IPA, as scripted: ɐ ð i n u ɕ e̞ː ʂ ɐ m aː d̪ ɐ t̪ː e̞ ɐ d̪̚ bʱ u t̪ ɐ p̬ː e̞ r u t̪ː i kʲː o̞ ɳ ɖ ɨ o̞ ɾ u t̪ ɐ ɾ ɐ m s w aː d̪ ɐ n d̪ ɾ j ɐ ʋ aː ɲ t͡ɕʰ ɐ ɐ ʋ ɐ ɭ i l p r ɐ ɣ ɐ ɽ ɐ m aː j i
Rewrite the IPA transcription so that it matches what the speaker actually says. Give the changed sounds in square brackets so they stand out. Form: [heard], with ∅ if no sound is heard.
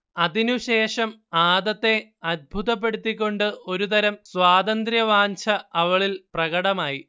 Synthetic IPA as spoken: ɐ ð i n u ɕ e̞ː ʂ ɐ m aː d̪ ɐ t̪ː e̞ ɐ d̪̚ bʱ u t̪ ɐ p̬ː e̞ [ɽ] u t̪ː i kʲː o̞ ɳ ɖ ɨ o̞ ɾ u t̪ ɐ ɾ ɐ m s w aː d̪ ɐ n d̪ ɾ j ɐ ʋ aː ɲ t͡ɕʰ ɐ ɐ ʋ ɐ ɭ i l p r ɐ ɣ ɐ ɽ ɐ m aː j i